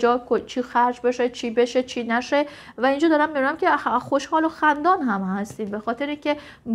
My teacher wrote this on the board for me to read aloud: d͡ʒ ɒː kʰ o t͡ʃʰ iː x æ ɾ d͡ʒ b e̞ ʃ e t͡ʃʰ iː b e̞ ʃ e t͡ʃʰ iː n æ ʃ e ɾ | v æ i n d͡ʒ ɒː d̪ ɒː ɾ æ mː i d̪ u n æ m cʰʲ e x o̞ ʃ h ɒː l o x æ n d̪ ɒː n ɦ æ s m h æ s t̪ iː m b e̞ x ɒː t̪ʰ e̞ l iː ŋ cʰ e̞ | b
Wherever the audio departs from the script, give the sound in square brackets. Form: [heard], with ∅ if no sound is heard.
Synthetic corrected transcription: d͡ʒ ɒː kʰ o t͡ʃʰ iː x æ ɾ d͡ʒ b e̞ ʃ e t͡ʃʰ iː b e̞ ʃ e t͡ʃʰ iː n æ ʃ e [∅] | v æ i n d͡ʒ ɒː d̪ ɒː ɾ æ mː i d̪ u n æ m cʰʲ e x o̞ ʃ h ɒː l o x æ n d̪ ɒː n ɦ æ [∅] m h æ s t̪ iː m b e̞ x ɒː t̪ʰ e̞ [ɾ] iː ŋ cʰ e̞ | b

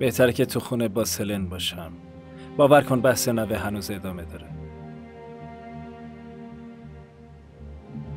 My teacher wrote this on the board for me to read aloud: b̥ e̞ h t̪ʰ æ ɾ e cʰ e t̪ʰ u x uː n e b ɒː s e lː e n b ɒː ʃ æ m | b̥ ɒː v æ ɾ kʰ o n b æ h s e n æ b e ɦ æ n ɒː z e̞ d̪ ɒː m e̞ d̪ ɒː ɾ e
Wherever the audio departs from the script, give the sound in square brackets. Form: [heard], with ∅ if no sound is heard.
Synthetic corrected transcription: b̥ e̞ h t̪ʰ æ ɾ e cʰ e t̪ʰ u x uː n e b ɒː s e [l] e n b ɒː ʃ æ m | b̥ ɒː v æ ɾ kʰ o n b æ h s e n æ [v] e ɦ æ n [uː] z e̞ d̪ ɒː m e̞ d̪ ɒː ɾ e

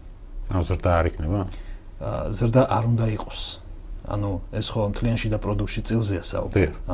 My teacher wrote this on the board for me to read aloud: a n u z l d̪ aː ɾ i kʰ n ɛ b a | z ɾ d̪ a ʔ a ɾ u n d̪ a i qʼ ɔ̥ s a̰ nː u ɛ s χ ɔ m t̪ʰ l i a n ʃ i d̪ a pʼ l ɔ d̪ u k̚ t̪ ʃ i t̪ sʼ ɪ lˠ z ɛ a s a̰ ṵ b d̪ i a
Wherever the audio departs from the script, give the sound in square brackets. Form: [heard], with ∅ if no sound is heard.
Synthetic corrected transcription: a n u z [ɾ] d̪ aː ɾ i kʰ n ɛ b a | z ɾ d̪ a ʔ a ɾ u n d̪ a i qʼ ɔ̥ s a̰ [n] u ɛ s χ ɔ m t̪ʰ l i a n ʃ i d̪ a pʼ [ɾ] ɔ d̪ u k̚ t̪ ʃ i t̪ sʼ [i] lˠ z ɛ a s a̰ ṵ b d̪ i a

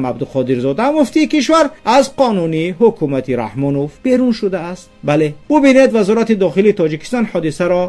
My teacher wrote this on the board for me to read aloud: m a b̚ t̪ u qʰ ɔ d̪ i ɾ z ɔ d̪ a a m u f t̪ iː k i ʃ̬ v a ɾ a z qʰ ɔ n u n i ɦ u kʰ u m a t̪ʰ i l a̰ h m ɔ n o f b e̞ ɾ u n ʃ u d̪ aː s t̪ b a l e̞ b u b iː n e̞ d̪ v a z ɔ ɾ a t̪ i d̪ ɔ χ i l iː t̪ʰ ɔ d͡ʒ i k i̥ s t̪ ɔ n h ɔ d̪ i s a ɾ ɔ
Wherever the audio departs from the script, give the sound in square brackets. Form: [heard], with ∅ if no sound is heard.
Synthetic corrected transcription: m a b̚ [d̪] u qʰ ɔ d̪ i ɾ z ɔ d̪ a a m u f t̪ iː k i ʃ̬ v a ɾ a z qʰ ɔ n u n i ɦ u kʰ u m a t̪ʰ i [ɾ] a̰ h m ɔ n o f b e̞ ɾ u n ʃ u d̪ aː s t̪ b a l e̞ b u b [i] n e̞ d̪ v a z ɔ ɾ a t̪ i d̪ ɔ χ i l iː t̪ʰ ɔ d͡ʒ i k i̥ s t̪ ɔ n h ɔ d̪ i s a ɾ ɔ

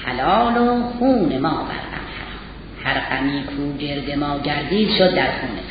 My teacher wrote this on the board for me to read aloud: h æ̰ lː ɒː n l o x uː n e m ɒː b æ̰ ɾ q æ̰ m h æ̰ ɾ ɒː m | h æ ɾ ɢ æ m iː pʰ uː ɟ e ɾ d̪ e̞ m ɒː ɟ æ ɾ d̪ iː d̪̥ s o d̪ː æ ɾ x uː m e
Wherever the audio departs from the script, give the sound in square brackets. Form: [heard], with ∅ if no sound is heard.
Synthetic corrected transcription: h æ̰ [l] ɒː [∅] l o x uː n e m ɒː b æ̰ ɾ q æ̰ m h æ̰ ɾ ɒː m | h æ ɾ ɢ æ m iː [kʰ] uː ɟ e ɾ d̪ e̞ m ɒː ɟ æ ɾ d̪ iː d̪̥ [ʃ] o d̪ː æ ɾ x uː [n] e

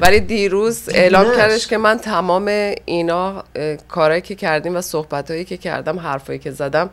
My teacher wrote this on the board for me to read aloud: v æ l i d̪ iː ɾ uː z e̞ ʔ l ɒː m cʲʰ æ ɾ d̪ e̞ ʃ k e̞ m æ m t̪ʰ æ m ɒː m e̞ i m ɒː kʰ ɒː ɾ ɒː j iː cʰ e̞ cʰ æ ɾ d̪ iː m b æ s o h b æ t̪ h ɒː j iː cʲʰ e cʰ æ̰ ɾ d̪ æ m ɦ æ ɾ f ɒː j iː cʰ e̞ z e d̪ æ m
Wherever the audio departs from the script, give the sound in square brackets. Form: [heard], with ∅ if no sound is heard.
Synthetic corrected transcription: v æ l i d̪ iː ɾ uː z e̞ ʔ l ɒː m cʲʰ æ ɾ d̪ e̞ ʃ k e̞ m æ [n] t̪ʰ æ m ɒː m e̞ i [n] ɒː kʰ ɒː ɾ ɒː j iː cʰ e̞ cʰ æ ɾ d̪ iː m [v] æ s o h b æ t̪ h ɒː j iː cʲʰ e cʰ æ̰ ɾ d̪ æ m ɦ æ ɾ f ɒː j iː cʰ e̞ z [æ] d̪ æ m

